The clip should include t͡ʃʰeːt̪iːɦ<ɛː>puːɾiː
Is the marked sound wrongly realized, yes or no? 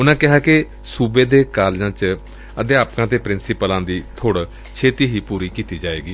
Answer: yes